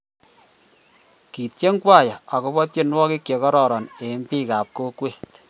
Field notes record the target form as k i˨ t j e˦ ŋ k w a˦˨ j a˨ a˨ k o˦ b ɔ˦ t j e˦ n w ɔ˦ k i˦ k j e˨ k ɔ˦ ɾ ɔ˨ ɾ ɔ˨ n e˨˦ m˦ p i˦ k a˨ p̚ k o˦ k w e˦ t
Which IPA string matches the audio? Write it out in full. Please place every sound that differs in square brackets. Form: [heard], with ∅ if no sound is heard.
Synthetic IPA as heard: k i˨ t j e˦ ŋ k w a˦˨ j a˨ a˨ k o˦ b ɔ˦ t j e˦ n w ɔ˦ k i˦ k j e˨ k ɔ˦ ɾ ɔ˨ ɾ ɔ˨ n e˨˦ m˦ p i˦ k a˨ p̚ k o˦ k w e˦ t